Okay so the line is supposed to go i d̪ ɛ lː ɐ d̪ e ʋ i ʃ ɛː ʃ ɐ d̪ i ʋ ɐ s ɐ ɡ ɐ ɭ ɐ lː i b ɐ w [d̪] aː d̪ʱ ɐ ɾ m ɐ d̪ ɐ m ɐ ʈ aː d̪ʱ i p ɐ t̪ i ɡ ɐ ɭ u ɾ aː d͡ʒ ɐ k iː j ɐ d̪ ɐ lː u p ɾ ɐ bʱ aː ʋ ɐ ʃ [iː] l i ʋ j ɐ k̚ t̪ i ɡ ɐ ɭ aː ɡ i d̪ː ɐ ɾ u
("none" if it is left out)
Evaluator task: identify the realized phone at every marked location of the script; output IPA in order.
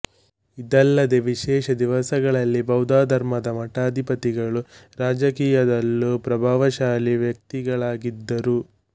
d̪, aː

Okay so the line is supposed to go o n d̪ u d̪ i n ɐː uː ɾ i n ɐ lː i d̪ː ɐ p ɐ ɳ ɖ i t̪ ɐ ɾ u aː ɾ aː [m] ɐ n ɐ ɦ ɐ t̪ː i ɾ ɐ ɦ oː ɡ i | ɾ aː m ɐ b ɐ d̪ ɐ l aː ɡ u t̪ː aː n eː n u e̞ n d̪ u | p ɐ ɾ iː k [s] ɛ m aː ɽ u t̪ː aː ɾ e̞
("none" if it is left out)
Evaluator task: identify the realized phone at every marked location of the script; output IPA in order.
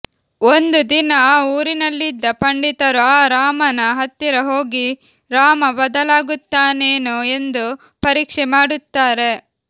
m, ʂ

